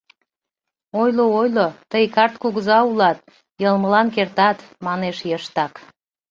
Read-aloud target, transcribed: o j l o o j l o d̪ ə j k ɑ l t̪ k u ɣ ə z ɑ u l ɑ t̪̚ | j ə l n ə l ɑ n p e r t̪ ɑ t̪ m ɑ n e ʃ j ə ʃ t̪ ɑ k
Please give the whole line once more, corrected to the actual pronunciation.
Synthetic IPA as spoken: o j l o o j l o t̪ ə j k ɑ r t̪ k u ɣ ə z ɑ u l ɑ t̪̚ | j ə l m ə l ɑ n k e r t̪ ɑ t̪ m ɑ n e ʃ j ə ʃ t̪ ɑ k